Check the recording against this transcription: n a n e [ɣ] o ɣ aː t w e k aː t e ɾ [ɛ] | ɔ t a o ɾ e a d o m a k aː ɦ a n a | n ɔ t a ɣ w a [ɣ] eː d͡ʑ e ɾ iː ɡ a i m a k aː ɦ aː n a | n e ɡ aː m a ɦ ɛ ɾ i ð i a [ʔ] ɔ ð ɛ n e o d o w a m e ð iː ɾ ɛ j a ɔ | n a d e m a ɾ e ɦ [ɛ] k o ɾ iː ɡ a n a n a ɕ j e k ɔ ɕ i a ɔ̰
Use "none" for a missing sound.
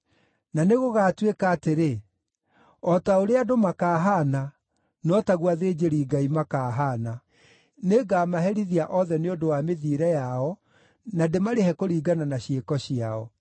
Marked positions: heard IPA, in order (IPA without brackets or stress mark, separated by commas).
ɣ, e, ð, ʔ, ɛ